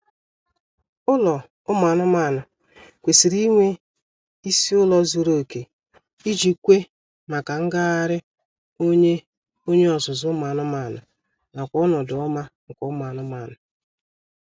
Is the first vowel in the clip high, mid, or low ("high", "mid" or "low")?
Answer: high